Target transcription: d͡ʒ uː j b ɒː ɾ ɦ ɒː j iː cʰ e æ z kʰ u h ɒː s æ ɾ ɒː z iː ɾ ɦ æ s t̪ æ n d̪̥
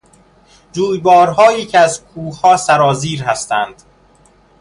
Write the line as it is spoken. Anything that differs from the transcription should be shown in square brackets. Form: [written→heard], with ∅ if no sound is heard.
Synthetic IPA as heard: d͡ʒ uː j b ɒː ɾ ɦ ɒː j iː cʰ e æ z kʰ [u→uː] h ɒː s æ ɾ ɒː z iː ɾ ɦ æ s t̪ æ n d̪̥